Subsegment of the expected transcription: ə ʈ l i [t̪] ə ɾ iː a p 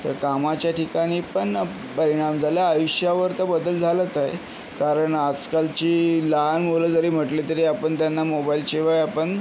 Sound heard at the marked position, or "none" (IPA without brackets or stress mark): t̪